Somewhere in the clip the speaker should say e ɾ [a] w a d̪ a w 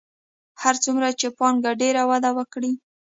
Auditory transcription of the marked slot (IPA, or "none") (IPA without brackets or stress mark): a